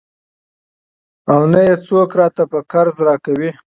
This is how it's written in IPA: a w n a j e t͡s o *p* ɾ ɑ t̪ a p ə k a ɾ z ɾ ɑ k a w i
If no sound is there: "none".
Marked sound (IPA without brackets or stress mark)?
k